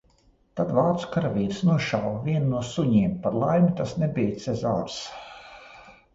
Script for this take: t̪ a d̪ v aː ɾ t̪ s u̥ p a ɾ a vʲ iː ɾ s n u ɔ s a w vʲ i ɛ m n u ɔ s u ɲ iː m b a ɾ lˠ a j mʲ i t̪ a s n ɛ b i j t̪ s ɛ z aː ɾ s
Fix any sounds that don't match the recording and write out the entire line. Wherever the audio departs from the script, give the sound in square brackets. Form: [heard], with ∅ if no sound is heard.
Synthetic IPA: t̪ a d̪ v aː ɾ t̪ s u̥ [k] a ɾ a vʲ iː ɾ s n u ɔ [ʃ] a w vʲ i ɛ [n] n u ɔ s u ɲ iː m [p] a ɾ lˠ a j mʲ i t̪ a s n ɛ b i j t̪ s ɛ z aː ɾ s